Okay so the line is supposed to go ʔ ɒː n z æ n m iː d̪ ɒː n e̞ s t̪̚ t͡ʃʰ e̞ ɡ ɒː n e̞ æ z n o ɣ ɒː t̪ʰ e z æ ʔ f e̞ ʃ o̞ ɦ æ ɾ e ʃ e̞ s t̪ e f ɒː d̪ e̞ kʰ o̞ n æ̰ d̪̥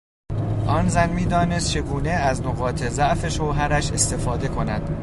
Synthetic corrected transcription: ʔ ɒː n z æ n m iː d̪ ɒː n e̞ s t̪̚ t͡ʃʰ e̞ ɡ uː n e̞ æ z n o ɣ ɒː t̪ʰ e z æ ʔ f e̞ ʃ o̞ ɦ æ ɾ æ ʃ e̞ s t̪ e f ɒː d̪ e̞ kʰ o̞ n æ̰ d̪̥